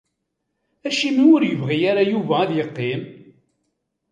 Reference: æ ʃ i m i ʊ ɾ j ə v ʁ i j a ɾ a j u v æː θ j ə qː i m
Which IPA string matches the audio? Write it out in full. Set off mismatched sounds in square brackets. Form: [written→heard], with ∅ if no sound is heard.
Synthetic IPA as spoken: æ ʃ i m i ʊ ɾ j ə v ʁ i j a ɾ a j u v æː [θ→ð] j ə qː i m